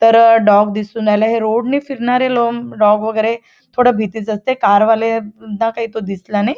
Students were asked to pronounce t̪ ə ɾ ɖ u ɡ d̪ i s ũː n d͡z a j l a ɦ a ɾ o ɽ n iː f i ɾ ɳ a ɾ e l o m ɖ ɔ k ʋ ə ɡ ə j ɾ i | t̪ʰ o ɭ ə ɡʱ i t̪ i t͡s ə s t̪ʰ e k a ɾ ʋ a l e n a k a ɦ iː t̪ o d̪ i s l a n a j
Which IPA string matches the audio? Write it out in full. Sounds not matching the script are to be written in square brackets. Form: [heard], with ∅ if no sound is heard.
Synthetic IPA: t̪ ə ɾ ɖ [ɔ] ɡ d̪ i s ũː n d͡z a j l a ɦ [e] ɾ o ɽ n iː f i ɾ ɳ a ɾ e l o m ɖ ɔ [ɡ] ʋ ə ɡ ə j ɾ [e] | t̪ʰ o [ɽ] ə [bʱ] i t̪ i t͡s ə s [t̪] e k a ɾ ʋ a l e n a k a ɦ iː t̪ o d̪ i s l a n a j